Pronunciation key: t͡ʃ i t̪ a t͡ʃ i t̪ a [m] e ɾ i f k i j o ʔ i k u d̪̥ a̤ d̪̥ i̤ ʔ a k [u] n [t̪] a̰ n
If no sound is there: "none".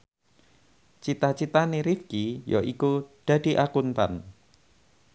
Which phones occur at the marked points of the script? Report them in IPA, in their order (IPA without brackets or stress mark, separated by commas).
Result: n, u, t̪